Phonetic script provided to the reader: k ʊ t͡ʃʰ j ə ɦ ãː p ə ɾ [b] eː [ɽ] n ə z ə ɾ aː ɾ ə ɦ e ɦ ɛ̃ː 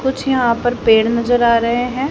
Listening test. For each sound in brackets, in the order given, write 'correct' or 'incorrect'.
incorrect, correct

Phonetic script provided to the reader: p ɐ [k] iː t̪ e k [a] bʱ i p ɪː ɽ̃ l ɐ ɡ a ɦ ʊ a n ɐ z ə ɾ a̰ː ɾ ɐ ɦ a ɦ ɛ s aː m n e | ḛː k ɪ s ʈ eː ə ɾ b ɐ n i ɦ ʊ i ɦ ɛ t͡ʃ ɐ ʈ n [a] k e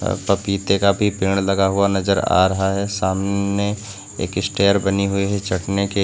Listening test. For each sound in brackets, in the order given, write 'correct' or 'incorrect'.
incorrect, correct, incorrect

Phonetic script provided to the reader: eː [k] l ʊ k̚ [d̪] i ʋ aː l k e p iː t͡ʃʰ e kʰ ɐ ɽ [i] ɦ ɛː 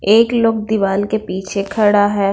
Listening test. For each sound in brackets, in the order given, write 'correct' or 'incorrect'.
correct, correct, incorrect

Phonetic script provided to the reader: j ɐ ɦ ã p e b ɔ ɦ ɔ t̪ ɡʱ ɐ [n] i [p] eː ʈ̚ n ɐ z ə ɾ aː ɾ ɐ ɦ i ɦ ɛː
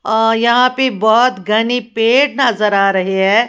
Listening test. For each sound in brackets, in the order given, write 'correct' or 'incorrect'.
correct, correct

